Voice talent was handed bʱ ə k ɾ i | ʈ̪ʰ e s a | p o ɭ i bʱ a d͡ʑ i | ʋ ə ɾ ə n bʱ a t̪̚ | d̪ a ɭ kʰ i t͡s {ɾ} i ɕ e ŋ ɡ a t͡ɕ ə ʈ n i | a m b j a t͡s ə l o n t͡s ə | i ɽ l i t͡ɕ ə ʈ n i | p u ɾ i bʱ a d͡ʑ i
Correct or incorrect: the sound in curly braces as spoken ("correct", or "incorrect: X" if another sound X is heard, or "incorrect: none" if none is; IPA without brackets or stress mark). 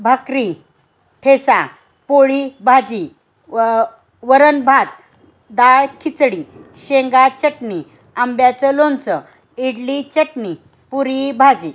incorrect: ɽ